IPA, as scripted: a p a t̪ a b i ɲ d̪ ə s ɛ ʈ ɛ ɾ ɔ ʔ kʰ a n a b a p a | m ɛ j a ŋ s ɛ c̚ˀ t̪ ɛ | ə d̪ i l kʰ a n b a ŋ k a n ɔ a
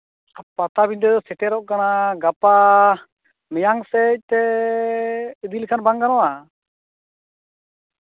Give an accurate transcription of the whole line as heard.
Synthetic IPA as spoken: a p a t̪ a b i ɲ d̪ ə s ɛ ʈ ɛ ɾ ɔ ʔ k a n a ɡ a p a | m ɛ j a ŋ s ɛ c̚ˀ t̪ ɛ | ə d̪ i l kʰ a n b a ŋ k a n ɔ a